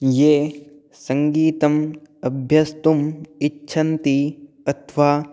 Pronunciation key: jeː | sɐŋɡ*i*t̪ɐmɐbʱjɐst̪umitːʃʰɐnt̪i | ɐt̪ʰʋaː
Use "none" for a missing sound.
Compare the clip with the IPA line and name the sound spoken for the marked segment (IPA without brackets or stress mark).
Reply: iː